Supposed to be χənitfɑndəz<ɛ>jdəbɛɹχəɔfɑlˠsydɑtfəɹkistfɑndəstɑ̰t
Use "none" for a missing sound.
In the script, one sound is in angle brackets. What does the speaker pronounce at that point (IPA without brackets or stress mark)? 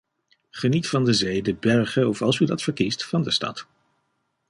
e